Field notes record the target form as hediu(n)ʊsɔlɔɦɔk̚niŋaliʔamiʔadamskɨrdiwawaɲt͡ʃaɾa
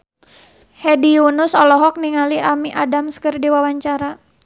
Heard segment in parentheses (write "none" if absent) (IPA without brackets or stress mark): n